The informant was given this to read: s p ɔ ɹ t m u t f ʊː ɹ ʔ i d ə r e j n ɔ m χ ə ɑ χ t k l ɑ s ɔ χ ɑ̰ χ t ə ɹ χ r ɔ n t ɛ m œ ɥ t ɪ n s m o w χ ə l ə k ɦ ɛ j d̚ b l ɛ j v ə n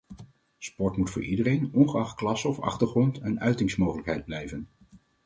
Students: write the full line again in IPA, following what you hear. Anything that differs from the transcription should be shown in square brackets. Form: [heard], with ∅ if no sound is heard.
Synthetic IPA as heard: s p ɔ ɹ t m u t f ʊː ɹ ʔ i d ə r e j n ɔ [n] χ ə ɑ χ t k l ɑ s ɔ [f] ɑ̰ χ t ə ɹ χ r ɔ n t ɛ [n] œ ɥ t ɪ [ŋ] s m o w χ ə l ə k ɦ ɛ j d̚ b l ɛ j v ə n